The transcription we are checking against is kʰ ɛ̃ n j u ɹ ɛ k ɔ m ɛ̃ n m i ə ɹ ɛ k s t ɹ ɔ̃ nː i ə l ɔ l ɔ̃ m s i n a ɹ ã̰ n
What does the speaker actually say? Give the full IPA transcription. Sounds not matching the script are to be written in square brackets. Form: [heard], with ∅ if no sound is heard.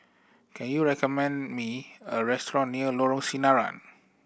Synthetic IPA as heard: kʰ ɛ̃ n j u ɹ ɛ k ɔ m ɛ̃ n m i ə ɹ ɛ [∅] s t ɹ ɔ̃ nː i ə l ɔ [ɹ] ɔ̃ [ŋ] s i n a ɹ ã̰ n

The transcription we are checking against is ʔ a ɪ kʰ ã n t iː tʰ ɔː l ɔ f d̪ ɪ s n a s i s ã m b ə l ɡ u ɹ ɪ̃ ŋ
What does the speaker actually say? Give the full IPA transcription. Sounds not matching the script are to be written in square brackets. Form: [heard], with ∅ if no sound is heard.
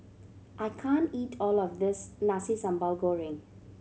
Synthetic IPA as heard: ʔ a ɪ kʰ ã n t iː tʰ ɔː l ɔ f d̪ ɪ s n a s i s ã m b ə l ɡ [o] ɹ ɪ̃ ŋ

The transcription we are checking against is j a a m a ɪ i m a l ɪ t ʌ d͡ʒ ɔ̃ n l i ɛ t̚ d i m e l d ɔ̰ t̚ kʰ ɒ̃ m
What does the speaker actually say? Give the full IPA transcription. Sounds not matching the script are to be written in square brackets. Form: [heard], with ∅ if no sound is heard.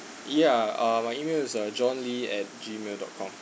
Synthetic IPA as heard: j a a m a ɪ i m [e] l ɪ [s] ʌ d͡ʒ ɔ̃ n l i ɛ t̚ [d͡ʒ] i m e l d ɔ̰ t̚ kʰ [ɔ̃] m

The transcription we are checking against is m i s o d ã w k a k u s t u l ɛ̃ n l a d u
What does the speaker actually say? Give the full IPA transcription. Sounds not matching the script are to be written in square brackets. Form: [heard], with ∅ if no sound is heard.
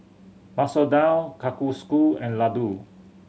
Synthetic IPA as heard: m [a] s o d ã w k a k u s [k] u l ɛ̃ n l a d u

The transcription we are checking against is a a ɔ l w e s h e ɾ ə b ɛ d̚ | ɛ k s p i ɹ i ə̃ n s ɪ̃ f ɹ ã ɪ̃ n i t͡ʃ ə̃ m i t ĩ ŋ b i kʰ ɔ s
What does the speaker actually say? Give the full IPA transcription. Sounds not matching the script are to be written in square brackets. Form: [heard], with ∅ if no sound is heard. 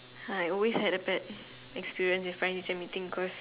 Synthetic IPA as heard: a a ɔ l w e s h [ɛ] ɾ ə b ɛ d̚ | ɛ k s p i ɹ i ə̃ n s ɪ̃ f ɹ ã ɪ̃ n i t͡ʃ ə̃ m i t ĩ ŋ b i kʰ ɔ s

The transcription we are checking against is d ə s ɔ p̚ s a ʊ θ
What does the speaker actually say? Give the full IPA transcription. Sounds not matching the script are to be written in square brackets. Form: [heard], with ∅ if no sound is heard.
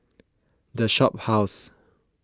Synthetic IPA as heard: d ə [ʃ] ɔ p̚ [h] a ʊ [s]

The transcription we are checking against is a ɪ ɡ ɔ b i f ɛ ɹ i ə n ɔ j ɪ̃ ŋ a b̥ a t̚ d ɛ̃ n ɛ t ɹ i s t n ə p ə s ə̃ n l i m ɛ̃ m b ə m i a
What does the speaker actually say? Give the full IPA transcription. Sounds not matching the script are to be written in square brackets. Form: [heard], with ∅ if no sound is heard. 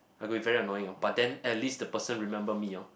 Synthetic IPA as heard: a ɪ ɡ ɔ b i [v] ɛ ɹ i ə n ɔ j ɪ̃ ŋ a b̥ a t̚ d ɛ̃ n ɛ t [l] i s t [d] ə p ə s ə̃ n [ɹ] i m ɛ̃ m b ə m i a

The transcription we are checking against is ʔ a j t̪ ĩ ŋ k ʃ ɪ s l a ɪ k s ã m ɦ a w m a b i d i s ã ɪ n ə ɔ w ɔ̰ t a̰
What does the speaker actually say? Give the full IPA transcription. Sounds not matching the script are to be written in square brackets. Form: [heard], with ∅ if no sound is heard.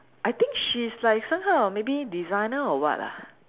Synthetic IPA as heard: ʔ a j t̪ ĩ ŋ k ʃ [i] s l a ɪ k s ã m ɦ a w m [e] b i d i [z] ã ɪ n ə ɔ w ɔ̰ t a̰

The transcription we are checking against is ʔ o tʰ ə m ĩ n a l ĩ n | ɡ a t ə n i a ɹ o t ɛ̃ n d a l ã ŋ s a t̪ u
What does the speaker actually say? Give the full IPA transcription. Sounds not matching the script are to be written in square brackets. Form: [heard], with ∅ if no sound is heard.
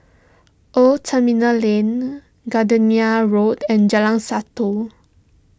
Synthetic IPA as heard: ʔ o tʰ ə m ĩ n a l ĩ n | ɡ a [d] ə n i a ɹ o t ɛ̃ n [d͡ʒ] a l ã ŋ s a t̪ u

